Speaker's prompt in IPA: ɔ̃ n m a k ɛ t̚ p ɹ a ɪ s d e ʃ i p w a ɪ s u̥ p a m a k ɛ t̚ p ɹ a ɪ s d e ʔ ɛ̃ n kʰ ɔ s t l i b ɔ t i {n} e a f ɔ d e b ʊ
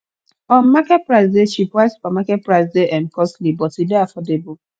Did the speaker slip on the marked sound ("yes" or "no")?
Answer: yes